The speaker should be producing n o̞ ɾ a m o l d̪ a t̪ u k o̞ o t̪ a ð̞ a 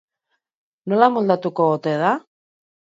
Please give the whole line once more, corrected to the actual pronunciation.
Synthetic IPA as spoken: n o̞ l a m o l d̪ a t̪ u k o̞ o t̪ e ð̞ a